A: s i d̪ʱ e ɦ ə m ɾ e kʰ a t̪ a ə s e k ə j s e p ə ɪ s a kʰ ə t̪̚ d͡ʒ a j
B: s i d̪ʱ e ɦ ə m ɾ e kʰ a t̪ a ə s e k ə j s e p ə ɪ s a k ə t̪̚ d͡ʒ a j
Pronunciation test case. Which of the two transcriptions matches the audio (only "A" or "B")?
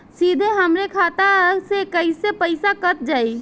B